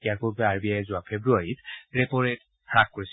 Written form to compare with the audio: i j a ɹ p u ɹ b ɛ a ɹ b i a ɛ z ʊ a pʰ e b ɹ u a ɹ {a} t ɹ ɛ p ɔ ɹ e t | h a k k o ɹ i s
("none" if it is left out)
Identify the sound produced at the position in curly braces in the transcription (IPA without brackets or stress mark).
i